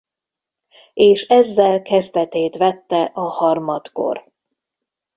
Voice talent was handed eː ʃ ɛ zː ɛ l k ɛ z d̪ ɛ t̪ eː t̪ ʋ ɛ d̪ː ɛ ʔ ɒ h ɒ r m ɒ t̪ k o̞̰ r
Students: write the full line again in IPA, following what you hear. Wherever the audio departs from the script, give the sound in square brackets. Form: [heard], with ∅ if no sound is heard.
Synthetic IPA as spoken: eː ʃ ɛ zː ɛ l k ɛ z d̪ ɛ t̪ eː t̪ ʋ ɛ [t̪ː] ɛ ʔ ɒ h ɒ r m ɒ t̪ k o̞̰ r